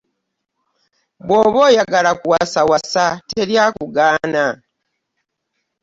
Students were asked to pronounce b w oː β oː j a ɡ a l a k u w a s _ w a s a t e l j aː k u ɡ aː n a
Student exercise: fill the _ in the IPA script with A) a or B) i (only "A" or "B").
A